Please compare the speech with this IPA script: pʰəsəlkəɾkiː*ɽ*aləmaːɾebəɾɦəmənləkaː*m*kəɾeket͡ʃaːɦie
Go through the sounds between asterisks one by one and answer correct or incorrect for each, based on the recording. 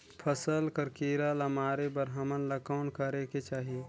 incorrect, incorrect

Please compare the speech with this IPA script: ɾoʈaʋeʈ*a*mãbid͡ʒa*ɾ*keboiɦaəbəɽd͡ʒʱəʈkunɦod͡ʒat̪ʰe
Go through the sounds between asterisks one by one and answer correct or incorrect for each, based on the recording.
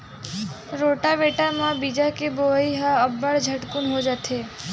correct, incorrect

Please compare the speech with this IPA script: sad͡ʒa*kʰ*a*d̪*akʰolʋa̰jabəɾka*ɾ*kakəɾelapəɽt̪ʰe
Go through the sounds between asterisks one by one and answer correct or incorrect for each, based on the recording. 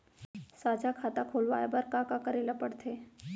correct, incorrect, incorrect

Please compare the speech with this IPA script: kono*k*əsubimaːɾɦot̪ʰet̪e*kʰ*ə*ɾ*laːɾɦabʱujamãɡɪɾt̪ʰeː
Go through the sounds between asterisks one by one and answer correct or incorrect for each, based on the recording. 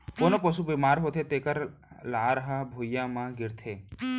incorrect, incorrect, correct

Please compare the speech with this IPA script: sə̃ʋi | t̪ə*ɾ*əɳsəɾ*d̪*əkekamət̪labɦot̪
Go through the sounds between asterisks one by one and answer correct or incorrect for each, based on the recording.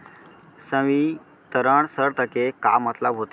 correct, incorrect

